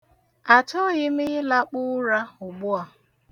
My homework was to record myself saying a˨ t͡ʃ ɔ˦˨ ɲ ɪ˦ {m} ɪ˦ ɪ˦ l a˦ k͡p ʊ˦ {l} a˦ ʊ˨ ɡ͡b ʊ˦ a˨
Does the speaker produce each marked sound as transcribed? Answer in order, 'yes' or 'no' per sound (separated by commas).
yes, no